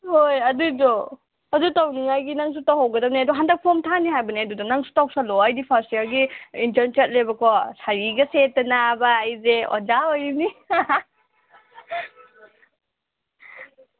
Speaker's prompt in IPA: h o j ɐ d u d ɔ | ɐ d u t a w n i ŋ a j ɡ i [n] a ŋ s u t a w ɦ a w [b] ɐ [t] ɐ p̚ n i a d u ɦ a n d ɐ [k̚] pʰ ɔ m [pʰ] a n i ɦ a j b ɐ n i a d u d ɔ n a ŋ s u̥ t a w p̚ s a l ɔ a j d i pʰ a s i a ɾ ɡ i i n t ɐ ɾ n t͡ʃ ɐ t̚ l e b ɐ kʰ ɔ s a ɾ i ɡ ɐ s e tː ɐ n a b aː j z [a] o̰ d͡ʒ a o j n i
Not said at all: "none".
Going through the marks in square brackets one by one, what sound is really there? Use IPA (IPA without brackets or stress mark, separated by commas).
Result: n, ɡ, d, k̚, tʰ, e